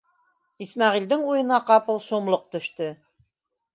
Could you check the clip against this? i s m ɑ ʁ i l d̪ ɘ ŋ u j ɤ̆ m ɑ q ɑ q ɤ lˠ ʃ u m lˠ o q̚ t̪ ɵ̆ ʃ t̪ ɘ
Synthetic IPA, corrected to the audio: i s m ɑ ʁ i l d̪ ɘ ŋ u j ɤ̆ n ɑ q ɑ p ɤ lˠ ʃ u m lˠ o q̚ t̪ ɵ̆ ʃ t̪ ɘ